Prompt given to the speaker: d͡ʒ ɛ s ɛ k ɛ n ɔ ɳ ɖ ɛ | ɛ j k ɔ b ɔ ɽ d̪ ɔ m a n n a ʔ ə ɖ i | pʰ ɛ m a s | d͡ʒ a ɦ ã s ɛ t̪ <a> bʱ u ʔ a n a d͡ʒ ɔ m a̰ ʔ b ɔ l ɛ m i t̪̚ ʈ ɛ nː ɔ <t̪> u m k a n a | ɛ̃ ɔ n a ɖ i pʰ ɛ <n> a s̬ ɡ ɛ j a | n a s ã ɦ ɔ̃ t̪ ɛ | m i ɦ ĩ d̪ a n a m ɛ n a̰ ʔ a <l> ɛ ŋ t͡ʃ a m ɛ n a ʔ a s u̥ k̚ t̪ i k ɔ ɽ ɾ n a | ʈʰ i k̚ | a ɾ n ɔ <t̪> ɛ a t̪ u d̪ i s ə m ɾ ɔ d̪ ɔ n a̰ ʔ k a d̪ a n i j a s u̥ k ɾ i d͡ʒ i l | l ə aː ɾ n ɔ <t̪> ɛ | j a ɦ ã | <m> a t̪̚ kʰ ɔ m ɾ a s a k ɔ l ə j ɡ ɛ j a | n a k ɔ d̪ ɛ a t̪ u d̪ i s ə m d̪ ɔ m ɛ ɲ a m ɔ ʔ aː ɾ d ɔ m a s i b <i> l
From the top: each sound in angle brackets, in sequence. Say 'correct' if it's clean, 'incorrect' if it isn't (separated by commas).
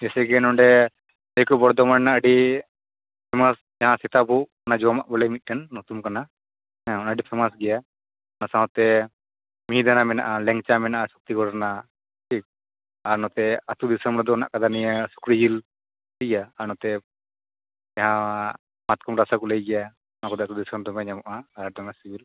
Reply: correct, correct, incorrect, correct, correct, correct, correct, correct